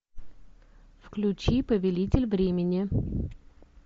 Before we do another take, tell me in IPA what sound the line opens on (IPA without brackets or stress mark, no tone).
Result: f